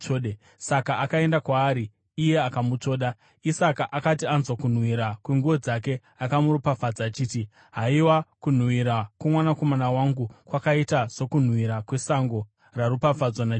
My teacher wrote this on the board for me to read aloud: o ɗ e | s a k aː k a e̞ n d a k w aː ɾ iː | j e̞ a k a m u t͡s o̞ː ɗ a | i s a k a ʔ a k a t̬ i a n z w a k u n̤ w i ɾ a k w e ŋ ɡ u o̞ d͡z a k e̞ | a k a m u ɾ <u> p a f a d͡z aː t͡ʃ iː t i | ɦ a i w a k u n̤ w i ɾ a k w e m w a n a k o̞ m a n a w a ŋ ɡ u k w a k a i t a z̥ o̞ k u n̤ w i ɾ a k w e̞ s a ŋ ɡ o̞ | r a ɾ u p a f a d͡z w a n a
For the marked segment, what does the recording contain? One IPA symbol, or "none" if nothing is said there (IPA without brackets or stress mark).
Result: u